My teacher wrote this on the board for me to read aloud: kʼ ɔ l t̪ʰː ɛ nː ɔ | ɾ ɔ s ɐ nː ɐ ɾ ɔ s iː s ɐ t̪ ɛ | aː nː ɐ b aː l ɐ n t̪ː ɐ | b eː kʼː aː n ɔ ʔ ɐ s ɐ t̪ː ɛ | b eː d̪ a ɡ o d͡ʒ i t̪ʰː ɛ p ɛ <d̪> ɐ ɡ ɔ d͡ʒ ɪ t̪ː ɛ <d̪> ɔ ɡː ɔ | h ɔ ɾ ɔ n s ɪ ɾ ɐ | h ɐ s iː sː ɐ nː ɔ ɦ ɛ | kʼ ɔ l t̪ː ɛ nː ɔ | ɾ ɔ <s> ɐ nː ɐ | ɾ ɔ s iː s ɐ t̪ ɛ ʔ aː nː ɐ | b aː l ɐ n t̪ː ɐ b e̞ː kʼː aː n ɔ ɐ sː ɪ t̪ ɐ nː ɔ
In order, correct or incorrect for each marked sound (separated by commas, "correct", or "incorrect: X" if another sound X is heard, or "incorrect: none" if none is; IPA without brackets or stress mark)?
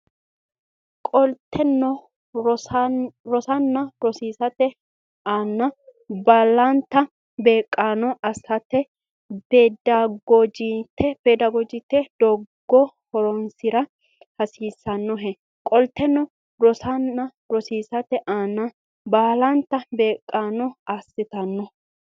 correct, correct, correct